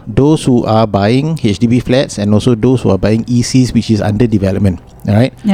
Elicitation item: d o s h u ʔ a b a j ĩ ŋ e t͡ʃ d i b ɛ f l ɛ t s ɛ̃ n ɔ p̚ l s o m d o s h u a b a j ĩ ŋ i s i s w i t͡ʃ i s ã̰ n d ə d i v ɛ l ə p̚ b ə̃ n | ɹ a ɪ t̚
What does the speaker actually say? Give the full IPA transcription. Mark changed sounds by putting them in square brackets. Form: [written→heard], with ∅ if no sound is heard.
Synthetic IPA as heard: d o s h u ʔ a b a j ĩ ŋ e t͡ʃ d i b [ɛ→i] f l ɛ t s ɛ̃ n ɔ [p̚→∅] l s o [m→∅] d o s h u a b a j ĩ ŋ i s i s w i t͡ʃ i s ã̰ n d ə d i v ɛ l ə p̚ [b→m] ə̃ n | ɹ a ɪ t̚